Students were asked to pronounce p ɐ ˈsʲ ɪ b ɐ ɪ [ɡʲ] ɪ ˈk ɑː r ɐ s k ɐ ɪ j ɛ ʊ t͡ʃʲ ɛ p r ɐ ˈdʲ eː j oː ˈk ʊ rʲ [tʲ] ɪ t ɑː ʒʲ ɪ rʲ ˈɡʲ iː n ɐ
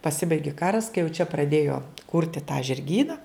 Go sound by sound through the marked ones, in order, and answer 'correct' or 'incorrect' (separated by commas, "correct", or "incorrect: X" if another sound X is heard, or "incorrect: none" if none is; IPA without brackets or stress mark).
correct, correct